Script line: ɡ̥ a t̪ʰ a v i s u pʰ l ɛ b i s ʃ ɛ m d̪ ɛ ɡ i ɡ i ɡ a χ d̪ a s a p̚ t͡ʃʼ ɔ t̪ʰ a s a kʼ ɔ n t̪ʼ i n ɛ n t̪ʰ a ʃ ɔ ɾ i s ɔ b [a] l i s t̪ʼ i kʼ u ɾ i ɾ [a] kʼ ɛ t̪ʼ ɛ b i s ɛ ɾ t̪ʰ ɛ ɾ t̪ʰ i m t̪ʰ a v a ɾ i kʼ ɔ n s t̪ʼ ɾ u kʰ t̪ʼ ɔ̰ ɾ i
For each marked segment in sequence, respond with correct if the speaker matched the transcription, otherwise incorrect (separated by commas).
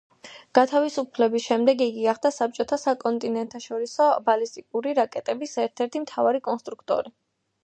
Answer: correct, correct